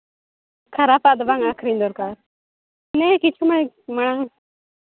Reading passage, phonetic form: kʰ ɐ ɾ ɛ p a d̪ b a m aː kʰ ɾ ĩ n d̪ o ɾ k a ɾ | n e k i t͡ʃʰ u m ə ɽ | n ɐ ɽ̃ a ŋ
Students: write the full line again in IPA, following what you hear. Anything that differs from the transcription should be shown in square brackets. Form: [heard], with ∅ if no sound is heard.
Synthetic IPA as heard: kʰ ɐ ɾ [a] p a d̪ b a [ŋ] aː kʰ ɾ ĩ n d̪ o ɾ k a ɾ | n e k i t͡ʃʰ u m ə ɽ | [m] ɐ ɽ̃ a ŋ